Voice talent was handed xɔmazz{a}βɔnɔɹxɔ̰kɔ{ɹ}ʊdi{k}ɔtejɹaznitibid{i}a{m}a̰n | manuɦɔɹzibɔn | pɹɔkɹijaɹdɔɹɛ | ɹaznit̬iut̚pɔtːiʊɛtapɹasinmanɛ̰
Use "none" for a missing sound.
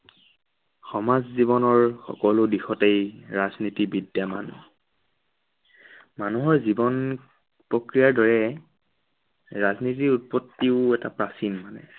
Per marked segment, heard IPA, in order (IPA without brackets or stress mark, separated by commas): i, l, x, j, m